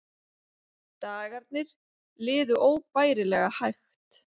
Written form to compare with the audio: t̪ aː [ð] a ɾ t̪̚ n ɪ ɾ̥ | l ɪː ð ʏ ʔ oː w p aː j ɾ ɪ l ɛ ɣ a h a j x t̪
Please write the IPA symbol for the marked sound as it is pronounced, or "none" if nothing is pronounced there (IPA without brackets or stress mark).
ɣ